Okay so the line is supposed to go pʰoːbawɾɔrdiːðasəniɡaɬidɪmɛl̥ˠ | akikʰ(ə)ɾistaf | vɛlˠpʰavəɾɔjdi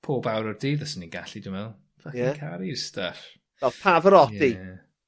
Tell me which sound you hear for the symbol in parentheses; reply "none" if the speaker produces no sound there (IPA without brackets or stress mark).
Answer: a